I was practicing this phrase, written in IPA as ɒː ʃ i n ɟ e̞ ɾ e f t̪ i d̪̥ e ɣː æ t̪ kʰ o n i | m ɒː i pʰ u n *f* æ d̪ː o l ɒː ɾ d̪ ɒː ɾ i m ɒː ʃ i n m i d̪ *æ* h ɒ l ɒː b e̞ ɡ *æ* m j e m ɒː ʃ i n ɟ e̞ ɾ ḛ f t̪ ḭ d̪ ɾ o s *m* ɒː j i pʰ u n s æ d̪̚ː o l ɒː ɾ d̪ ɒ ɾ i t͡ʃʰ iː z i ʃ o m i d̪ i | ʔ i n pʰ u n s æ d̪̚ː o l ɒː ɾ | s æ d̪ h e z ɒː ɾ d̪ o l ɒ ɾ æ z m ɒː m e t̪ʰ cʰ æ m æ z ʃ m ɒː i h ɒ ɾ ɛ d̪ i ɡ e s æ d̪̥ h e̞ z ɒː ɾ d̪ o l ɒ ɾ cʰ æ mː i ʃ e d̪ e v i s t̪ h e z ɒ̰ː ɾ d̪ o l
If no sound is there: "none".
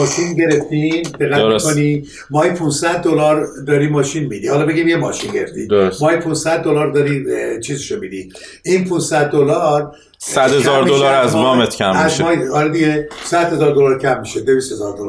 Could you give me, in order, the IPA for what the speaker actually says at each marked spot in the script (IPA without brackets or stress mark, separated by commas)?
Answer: s, i, i, m